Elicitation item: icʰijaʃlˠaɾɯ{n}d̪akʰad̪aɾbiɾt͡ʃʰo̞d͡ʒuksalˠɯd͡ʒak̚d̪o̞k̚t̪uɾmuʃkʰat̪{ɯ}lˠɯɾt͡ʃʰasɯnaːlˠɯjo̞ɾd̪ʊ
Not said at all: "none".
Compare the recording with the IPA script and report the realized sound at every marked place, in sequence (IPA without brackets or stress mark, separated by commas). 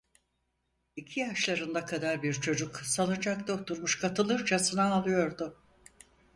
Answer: n, ɯ